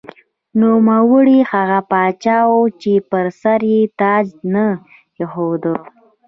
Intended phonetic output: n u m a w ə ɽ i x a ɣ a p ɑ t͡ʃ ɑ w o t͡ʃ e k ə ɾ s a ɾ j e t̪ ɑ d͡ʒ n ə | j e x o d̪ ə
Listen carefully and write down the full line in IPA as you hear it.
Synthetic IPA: n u m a w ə ɽ i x a ɣ a p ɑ t͡ʃ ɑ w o t͡ʃ e p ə ɾ s a ɾ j e t̪ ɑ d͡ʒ n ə | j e x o d̪ ə